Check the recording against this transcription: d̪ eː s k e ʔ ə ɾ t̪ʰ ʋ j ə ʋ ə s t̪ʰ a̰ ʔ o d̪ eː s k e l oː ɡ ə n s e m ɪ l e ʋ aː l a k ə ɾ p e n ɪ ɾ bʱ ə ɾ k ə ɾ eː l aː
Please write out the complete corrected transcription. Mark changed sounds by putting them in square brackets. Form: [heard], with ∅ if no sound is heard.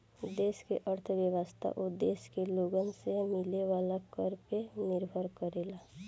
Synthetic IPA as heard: d̪ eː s k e ʔ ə ɾ t̪ʰ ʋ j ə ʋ ə s t̪ʰ a̰ ʔ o d̪ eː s k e l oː ɡ ə n s e m ɪ l e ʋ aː l a k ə ɾ p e n ɪ ɾ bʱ ə ɾ k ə ɾ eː l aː